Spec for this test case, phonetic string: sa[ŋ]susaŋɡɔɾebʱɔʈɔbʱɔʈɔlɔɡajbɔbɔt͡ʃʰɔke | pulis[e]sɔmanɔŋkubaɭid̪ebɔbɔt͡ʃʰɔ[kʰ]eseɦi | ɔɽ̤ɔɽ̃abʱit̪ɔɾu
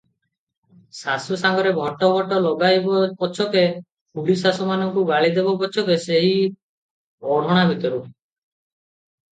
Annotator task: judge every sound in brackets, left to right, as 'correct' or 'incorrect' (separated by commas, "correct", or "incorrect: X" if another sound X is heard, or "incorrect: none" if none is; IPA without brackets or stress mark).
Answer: incorrect: none, incorrect: a, incorrect: k